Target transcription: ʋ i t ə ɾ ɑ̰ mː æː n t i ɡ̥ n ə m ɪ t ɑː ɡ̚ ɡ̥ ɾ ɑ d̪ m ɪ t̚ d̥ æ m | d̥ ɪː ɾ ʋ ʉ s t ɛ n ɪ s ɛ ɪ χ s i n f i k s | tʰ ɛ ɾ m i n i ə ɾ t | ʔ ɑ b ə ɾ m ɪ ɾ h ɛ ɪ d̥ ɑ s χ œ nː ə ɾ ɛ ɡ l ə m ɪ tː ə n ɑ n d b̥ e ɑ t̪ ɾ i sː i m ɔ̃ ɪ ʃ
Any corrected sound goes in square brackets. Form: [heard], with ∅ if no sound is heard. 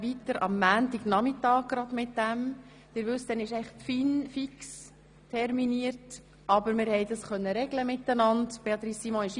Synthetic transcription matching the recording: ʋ i t ə ɾ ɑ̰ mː æː n t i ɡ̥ n [ɑ] m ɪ t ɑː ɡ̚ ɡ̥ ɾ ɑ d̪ m ɪ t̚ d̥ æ m | d̥ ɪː ɾ ʋ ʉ s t ɛ n ɪ [ʃ] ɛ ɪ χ [f] i n f i k s | tʰ ɛ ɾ m i n i ə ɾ t | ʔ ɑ b ə ɾ m ɪ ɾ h ɛ ɪ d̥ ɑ s χ œ nː ə ɾ ɛ ɡ l ə m ɪ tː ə n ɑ n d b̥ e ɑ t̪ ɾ i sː i m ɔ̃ ɪ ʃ